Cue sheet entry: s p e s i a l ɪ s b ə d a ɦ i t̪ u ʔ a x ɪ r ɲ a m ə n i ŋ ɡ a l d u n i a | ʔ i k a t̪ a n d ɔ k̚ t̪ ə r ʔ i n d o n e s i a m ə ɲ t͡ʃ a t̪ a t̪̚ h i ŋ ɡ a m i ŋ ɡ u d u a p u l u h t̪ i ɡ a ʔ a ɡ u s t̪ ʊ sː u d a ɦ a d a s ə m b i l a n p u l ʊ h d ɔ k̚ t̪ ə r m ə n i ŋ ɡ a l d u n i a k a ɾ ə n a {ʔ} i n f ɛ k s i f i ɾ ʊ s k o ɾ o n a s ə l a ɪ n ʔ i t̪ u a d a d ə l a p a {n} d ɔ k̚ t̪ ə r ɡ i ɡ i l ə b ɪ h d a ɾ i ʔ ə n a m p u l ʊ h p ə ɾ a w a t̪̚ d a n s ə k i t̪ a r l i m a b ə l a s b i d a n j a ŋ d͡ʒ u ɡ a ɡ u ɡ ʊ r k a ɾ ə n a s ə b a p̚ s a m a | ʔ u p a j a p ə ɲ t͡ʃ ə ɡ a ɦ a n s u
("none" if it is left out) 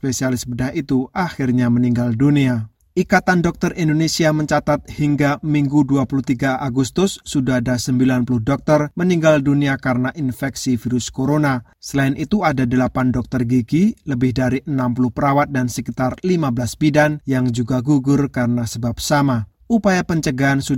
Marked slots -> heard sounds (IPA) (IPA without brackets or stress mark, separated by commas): ʔ, n